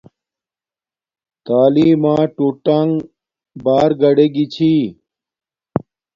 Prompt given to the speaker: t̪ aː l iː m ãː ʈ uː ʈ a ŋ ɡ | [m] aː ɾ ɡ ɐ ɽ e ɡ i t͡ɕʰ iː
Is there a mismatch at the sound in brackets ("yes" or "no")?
yes